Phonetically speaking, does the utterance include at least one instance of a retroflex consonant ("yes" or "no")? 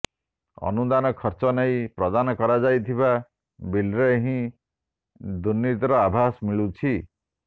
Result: yes